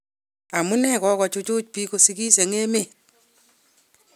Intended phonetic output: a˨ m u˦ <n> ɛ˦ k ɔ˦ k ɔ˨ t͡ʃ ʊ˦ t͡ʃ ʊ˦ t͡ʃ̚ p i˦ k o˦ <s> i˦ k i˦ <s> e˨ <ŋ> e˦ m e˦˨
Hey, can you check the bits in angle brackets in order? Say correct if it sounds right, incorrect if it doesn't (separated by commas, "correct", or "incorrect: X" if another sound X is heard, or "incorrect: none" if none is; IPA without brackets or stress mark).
correct, correct, correct, correct